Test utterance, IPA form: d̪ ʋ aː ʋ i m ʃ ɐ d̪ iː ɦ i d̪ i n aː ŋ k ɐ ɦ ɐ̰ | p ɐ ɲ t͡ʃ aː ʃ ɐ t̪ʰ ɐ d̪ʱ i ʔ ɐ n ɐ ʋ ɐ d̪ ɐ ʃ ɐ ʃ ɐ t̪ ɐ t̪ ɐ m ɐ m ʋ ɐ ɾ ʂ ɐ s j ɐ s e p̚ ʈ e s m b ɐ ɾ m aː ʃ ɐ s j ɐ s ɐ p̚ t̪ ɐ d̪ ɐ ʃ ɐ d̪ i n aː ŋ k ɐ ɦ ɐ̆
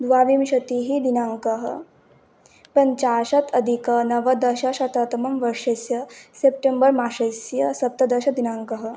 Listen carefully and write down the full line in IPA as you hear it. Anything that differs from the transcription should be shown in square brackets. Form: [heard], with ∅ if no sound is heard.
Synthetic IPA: d̪ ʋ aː ʋ i m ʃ ɐ [t̪] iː ɦ i d̪ i n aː ŋ k ɐ ɦ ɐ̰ | p ɐ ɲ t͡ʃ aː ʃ ɐ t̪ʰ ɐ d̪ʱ i [k] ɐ n ɐ ʋ ɐ d̪ ɐ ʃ ɐ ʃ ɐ t̪ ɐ t̪ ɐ m ɐ m ʋ ɐ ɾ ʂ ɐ s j ɐ s e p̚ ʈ e [∅] m b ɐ ɾ m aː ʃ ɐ s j ɐ s ɐ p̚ t̪ ɐ d̪ ɐ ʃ ɐ d̪ i n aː ŋ k ɐ ɦ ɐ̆